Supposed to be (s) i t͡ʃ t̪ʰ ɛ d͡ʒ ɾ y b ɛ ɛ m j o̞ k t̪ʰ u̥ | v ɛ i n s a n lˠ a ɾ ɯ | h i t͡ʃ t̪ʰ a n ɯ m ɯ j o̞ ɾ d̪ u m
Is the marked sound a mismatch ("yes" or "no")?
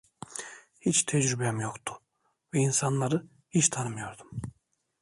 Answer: yes